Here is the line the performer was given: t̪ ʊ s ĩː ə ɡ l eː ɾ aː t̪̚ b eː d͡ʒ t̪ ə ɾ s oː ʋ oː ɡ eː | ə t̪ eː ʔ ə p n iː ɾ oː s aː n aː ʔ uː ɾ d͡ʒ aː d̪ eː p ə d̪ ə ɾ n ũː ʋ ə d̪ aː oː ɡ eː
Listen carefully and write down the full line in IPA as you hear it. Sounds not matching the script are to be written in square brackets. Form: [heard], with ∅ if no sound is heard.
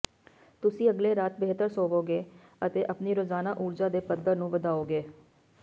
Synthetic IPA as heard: t̪ ʊ s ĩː ə ɡ l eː ɾ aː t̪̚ b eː [∅] t̪ ə ɾ s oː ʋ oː ɡ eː | ə t̪ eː ʔ ə p n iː ɾ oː [z] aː n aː ʔ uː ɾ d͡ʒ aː d̪ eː p ə d̪ ə ɾ n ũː ʋ ə d̪ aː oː ɡ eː